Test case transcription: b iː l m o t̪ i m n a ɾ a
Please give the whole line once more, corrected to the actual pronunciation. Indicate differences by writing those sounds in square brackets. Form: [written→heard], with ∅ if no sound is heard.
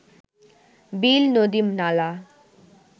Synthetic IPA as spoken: b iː l [m→n] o [t̪→d̪] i m n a [ɾ→l] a